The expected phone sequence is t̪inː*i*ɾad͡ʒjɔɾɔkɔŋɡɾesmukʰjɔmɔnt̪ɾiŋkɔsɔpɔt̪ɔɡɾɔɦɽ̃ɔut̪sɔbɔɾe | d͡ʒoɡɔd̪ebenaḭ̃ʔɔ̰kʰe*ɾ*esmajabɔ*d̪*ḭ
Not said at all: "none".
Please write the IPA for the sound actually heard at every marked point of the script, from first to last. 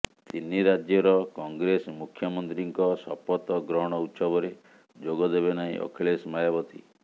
i, ɭ, t̪

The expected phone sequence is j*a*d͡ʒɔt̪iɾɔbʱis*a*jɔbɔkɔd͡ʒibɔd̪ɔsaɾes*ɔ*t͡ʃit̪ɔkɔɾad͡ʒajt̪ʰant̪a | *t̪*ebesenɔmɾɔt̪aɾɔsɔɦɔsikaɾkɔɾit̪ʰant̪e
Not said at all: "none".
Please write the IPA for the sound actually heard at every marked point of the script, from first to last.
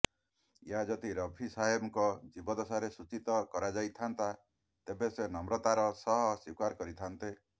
a, a, u, t̪

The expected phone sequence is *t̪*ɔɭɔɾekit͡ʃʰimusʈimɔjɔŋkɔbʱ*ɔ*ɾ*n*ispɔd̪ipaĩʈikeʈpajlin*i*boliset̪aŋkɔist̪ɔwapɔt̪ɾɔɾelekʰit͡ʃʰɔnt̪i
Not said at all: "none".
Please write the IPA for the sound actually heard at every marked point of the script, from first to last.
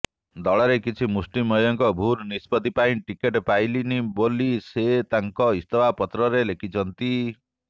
d̪, u, n, i

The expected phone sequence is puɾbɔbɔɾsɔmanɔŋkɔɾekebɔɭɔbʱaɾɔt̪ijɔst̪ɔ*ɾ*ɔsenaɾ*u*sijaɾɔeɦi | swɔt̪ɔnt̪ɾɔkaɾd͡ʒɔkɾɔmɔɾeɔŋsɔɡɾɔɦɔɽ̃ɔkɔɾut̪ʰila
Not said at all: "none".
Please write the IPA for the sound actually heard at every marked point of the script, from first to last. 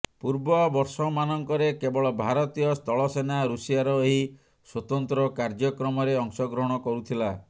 ɭ, u

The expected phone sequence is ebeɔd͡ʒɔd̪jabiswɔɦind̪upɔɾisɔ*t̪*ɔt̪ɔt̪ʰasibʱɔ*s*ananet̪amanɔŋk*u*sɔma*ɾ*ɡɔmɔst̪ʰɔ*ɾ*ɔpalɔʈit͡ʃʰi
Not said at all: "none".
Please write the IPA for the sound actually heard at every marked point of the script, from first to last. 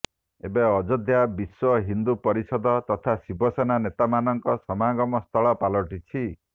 d̪, s, ɔ, none, ɭ

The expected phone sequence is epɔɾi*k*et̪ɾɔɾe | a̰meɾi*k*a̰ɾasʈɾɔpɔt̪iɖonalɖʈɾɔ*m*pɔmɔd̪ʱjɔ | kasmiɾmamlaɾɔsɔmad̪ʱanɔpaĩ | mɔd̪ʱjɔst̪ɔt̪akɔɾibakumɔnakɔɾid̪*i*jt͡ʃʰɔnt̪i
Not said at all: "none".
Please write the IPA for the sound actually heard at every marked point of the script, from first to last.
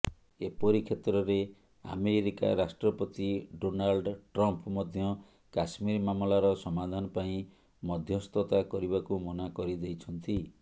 kʰ, k, m, e

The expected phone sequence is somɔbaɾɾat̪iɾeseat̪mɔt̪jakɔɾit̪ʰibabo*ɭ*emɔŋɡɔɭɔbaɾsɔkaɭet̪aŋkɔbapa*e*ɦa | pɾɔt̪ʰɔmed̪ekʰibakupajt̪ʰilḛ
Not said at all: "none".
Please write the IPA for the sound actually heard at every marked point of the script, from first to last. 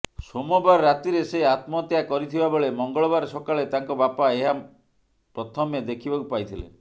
ɭ, e

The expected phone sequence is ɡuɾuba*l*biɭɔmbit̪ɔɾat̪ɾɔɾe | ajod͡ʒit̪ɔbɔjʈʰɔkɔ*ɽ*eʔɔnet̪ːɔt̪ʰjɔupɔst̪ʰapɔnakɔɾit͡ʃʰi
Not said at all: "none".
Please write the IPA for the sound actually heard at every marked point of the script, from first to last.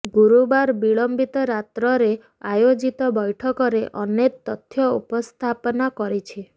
ɾ, ɾ

